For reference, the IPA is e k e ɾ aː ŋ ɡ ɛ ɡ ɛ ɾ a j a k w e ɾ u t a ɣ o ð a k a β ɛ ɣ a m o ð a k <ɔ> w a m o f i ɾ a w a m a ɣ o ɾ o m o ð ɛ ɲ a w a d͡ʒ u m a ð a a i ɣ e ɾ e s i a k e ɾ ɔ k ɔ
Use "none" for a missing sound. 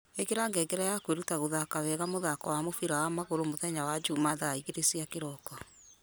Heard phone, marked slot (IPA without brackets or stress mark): ɔ